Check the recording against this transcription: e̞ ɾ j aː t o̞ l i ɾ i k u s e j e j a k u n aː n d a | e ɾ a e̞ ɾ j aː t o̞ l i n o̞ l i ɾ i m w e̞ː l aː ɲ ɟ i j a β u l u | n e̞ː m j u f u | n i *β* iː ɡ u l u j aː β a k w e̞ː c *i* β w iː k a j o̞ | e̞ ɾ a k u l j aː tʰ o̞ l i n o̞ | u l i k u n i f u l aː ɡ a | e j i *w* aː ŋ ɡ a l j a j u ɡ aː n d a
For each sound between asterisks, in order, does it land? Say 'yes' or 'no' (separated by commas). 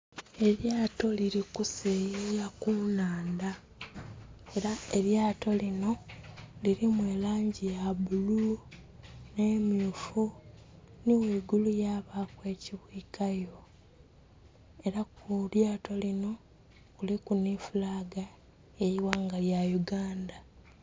no, yes, yes